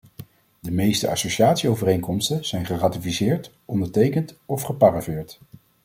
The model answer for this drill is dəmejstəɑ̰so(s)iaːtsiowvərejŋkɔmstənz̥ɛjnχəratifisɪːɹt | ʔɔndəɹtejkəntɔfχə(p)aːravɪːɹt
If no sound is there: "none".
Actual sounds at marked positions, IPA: ʃ, p

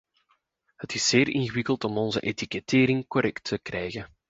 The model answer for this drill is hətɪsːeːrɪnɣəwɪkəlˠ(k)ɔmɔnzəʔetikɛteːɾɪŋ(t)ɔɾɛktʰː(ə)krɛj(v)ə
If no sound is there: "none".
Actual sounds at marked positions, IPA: t, k, ə, ɣ

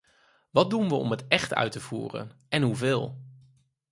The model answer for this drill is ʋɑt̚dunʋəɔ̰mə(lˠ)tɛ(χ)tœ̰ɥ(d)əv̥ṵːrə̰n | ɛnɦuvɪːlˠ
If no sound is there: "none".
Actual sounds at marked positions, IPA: none, χ, t

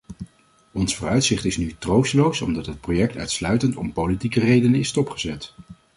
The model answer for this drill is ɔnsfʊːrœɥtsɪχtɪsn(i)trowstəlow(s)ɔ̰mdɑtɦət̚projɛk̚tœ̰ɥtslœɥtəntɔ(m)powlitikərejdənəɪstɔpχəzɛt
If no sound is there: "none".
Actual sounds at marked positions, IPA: y, s, m

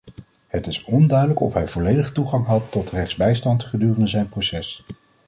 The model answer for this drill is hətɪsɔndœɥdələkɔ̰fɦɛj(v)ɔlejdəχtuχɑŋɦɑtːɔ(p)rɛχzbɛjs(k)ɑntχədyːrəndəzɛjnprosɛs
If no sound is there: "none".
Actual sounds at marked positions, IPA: v, t, t

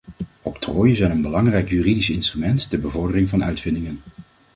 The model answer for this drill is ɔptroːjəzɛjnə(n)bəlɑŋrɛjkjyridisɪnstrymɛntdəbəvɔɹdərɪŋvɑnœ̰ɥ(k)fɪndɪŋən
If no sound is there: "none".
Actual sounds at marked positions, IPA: n, t

